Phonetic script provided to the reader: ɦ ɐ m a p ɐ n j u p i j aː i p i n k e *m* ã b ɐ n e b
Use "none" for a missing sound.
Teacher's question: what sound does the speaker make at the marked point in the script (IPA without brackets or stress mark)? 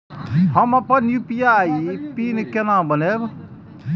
n